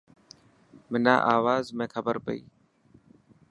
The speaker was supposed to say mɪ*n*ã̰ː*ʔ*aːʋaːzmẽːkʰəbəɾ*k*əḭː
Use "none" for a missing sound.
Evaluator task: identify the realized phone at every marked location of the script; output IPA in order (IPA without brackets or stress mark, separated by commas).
n, ʔ, p